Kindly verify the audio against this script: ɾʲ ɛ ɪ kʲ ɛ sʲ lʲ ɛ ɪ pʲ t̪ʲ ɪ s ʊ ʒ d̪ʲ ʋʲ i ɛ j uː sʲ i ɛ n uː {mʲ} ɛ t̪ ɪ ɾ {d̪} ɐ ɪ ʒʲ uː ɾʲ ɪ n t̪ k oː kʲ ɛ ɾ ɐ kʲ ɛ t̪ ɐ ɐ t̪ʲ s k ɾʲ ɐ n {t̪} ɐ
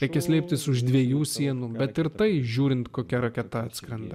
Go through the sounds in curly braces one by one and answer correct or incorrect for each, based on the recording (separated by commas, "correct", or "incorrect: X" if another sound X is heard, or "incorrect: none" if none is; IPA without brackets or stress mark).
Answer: incorrect: bʲ, incorrect: t̪, incorrect: d̪